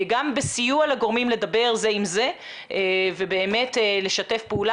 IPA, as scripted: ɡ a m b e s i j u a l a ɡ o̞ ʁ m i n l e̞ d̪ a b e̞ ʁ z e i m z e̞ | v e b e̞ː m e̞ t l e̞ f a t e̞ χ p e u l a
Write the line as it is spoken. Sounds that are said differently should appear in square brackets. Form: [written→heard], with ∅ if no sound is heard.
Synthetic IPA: ɡ a m b e s i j u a l a ɡ o̞ ʁ m i [n→m] l e̞ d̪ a b e̞ ʁ z e i m z e̞ | v e b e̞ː m e̞ t l e̞ [f→ʃ] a t e̞ [χ→f] p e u l a

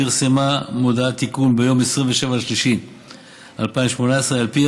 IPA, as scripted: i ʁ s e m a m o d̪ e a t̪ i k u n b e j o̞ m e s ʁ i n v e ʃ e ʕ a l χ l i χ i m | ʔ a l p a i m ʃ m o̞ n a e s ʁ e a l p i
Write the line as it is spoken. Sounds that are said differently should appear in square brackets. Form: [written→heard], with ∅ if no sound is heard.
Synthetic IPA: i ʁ s e m a m o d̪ [e→a] a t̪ i k u n b e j o̞ m e s ʁ i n v e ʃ e [ʕ→v] a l [χ→ʃ] l i [χ→ʃ] i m | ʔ a l p a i m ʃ m o̞ n a e s ʁ e a l p i

